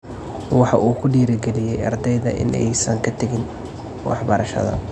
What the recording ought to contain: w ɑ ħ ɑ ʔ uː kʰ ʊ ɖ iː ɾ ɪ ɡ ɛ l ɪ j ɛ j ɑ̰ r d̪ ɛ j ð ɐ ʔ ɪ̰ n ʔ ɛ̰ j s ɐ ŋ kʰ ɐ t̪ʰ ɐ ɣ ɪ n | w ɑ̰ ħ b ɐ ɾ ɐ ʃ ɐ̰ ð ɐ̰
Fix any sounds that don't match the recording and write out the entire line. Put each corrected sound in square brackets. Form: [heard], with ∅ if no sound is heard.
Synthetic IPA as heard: w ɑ ħ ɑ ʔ uː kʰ ʊ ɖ iː ɾ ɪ ɡ ɛ l ɪ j ɛ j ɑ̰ r d̪ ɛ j ð ɐ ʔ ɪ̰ n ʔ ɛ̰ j s ɐ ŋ kʰ ɐ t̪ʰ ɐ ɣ ɪ n | w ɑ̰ ħ b ɐ ɾ ɐ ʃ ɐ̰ ð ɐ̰